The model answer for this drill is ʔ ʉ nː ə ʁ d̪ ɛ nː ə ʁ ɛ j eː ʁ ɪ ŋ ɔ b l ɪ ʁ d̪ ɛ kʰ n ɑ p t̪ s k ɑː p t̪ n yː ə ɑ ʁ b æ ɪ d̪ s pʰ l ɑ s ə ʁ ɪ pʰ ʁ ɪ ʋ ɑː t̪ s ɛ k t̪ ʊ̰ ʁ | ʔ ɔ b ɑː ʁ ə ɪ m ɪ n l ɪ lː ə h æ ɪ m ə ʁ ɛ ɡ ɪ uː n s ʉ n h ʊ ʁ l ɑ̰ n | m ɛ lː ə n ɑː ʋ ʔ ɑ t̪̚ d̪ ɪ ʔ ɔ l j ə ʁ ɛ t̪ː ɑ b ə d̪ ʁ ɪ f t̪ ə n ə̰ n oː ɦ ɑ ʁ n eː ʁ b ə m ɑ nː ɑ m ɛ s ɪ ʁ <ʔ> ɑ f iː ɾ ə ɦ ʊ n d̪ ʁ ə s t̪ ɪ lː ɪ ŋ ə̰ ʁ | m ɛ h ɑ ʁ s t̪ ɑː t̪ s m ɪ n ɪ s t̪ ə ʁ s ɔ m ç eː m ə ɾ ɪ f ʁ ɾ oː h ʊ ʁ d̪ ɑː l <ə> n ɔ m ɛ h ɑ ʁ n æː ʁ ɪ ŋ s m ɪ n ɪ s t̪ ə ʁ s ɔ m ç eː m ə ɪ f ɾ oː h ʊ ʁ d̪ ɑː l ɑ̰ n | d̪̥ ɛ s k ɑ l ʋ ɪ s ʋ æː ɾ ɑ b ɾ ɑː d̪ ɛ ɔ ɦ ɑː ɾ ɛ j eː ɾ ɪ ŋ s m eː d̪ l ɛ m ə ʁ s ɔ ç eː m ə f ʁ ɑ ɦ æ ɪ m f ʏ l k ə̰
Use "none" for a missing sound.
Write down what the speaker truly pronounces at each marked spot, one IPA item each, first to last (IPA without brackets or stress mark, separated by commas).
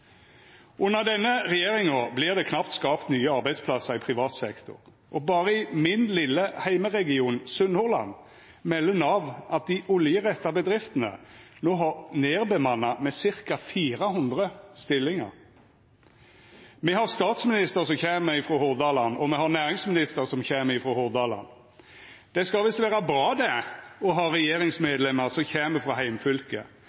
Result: k, ɑ